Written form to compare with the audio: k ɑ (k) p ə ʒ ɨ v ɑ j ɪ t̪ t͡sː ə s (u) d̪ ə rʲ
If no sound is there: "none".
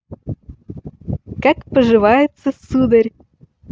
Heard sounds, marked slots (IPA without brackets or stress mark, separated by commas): k, u